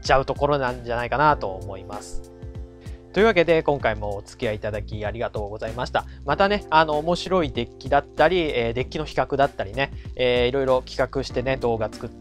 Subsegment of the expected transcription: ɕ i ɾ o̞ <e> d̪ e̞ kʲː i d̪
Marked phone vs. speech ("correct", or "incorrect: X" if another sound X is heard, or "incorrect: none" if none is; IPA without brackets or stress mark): incorrect: i